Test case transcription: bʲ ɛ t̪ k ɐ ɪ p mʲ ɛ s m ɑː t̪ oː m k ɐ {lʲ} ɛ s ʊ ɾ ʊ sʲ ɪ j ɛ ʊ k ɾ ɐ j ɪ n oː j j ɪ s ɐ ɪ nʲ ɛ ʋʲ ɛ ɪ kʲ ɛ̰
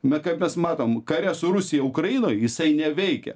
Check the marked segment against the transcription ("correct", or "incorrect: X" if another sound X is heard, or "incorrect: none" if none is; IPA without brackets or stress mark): incorrect: ɾʲ